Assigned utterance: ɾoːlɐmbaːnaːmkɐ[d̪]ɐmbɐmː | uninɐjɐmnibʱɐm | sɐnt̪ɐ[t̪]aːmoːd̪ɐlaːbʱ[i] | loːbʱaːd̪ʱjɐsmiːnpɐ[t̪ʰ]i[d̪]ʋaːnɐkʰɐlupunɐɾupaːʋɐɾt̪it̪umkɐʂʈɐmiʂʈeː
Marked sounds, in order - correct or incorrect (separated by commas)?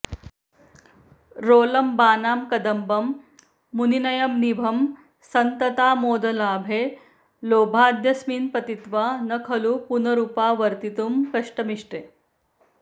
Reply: correct, correct, incorrect, incorrect, incorrect